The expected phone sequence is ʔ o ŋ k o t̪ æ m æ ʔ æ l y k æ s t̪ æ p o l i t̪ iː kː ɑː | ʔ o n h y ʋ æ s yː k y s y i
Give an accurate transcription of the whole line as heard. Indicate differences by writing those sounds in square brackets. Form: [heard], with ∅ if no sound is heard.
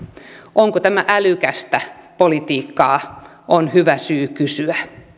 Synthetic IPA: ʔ o ŋ k o t̪ æ m æ ʔ æ l y k æ s t̪ æ p o l i t̪ iː kː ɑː | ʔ o n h y ʋ æ s yː k y s y [æ]